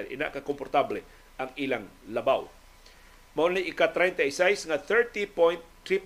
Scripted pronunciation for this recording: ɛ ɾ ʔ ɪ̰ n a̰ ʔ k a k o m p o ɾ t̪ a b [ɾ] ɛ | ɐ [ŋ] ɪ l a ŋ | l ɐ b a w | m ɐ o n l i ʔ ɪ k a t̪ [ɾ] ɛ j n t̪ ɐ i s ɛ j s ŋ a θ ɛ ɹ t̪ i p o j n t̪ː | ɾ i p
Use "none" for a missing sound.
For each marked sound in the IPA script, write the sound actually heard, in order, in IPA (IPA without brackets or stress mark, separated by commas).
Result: l, ŋ, ɾ